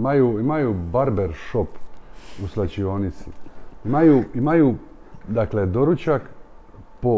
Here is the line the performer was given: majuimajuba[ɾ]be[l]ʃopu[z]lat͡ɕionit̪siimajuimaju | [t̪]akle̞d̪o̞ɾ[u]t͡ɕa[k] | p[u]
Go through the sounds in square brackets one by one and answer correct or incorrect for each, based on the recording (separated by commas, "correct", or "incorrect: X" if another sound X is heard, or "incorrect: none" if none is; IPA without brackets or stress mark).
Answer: correct, incorrect: ɾ, incorrect: s, incorrect: d̪, correct, correct, incorrect: o